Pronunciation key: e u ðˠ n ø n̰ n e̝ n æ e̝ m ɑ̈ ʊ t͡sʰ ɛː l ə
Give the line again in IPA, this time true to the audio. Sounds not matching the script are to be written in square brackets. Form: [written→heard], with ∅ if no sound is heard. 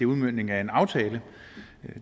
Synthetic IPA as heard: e u ðˠ [n→m] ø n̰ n e̝ [n→ŋ] æ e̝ [m→n] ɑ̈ ʊ t͡sʰ ɛː l ə